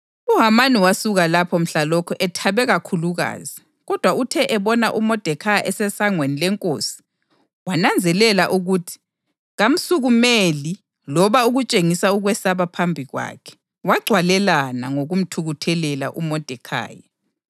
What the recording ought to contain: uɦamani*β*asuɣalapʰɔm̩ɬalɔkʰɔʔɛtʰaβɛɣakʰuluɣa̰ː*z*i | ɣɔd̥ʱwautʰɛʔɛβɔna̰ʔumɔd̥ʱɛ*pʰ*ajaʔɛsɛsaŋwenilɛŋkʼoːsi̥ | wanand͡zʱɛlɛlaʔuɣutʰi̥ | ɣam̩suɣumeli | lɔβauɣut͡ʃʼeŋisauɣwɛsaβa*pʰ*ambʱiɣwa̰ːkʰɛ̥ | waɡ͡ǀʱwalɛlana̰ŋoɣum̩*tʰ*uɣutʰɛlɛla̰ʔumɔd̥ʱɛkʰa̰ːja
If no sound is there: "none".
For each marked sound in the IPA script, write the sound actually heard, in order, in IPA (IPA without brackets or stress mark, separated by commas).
w, z, kʰ, pʰ, tʰ